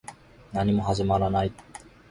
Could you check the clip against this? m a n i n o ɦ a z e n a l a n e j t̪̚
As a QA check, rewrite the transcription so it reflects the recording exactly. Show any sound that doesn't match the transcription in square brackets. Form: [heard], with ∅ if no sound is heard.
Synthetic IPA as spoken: [n] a n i [m] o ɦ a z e [m] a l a n [a] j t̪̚